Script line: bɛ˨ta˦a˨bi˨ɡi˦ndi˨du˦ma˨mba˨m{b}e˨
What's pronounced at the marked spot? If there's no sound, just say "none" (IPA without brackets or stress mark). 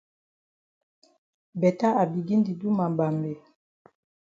b